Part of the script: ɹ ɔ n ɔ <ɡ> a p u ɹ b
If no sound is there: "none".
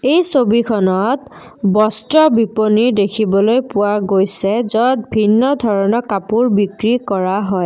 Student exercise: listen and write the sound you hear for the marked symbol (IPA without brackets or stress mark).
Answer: k